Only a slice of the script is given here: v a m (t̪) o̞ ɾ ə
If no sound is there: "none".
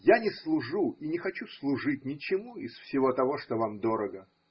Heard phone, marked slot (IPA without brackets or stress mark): d̪